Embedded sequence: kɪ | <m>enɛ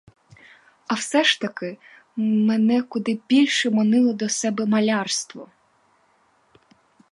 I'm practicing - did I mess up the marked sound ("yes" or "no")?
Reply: no